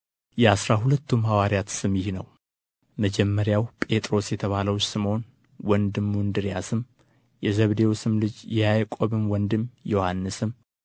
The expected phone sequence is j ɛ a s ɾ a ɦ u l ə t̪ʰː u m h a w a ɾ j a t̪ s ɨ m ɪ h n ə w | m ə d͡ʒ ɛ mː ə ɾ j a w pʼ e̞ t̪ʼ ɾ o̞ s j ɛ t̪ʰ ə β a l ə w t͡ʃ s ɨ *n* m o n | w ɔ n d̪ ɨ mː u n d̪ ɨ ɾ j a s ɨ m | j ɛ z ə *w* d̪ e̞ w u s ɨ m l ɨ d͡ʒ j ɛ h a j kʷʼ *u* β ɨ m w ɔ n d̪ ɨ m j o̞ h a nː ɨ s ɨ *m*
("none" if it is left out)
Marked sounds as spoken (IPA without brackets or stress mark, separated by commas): none, β, o, m